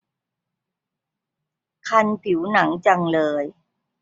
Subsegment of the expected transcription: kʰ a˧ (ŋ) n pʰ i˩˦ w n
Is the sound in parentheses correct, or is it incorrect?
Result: incorrect: none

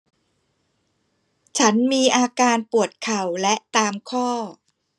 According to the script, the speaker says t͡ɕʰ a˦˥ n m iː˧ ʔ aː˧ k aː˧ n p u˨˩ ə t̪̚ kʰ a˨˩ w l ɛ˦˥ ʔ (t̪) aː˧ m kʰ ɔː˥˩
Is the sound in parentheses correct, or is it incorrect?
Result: correct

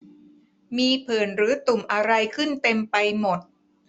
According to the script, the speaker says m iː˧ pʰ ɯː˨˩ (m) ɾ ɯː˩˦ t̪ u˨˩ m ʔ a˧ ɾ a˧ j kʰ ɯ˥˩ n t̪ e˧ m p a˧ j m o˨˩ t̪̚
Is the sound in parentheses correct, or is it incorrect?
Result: incorrect: n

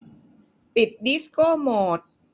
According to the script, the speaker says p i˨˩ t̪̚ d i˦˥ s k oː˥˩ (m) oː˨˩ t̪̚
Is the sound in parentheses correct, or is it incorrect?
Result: correct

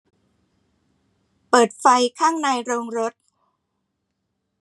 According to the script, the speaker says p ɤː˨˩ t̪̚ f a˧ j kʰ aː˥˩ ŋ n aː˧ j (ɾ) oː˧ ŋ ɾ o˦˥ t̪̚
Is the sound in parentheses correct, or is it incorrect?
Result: correct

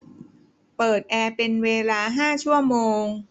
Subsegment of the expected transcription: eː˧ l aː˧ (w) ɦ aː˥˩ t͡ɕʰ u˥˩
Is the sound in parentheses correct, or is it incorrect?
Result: incorrect: none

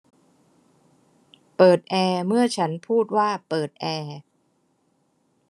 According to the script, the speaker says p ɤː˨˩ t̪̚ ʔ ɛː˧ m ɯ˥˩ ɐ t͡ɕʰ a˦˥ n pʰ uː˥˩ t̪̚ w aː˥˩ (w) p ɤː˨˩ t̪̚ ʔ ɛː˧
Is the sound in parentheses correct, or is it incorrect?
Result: incorrect: none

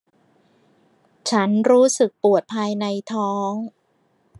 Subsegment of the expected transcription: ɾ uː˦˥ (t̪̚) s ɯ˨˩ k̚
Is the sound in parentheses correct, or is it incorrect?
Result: incorrect: none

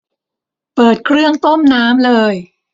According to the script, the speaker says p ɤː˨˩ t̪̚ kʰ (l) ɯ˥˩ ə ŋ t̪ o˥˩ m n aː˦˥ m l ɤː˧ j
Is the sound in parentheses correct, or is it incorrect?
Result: incorrect: ɾ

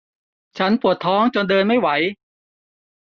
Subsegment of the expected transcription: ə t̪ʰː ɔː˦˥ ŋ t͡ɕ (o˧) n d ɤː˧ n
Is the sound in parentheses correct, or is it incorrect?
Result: correct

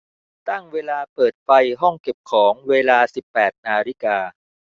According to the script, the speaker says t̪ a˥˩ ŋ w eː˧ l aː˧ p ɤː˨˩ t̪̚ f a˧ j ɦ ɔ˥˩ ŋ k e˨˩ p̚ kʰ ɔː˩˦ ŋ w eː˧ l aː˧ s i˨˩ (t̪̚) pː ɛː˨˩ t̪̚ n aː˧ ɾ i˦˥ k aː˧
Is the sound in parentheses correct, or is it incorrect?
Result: incorrect: none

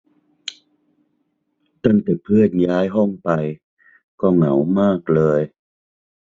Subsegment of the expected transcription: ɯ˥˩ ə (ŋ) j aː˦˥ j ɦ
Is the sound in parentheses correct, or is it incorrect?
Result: incorrect: n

